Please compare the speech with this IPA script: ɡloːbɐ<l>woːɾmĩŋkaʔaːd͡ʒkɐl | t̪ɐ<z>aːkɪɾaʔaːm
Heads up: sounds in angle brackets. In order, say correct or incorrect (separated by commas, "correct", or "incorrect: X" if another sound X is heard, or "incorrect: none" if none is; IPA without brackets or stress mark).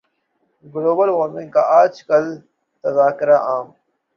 correct, correct